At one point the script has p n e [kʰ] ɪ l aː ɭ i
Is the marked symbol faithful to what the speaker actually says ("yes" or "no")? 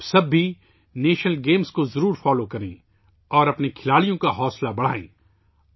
yes